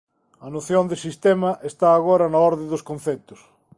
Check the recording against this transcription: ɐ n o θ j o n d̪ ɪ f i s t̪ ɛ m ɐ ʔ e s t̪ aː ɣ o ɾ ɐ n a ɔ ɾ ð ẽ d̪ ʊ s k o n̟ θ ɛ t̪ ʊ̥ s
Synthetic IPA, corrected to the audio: ɐ n o θ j o n d̪ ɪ s i s t̪ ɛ m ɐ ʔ e s t̪ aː ɣ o ɾ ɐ n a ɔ ɾ ð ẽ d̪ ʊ s k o n̟ θ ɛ t̪ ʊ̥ s